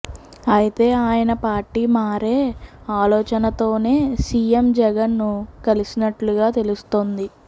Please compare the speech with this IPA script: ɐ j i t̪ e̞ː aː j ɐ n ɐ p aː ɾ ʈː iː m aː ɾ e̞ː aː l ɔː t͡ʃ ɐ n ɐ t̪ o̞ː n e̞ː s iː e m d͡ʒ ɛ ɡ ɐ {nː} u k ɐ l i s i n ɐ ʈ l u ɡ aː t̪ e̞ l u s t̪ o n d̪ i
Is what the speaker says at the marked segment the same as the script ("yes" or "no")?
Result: yes